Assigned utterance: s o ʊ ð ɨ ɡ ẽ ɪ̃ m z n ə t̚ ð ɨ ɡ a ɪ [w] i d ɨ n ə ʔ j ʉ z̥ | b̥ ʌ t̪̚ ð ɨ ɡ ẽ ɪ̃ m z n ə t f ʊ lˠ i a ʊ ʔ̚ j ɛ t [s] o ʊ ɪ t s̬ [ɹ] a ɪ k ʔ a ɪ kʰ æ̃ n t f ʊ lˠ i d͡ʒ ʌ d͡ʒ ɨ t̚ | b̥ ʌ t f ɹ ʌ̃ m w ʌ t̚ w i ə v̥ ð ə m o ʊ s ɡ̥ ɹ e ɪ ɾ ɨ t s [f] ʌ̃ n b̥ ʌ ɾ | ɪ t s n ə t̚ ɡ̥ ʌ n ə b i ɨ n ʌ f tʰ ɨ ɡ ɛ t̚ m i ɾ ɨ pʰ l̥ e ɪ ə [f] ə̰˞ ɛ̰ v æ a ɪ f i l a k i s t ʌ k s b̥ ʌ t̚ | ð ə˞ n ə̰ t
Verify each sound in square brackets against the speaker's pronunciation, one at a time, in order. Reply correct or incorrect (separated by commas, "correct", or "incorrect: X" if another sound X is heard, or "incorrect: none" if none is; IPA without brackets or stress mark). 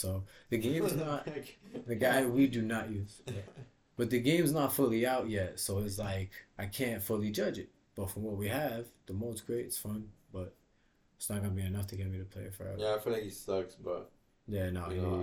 correct, correct, incorrect: l, correct, correct